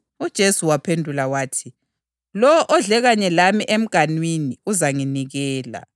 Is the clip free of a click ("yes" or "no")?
yes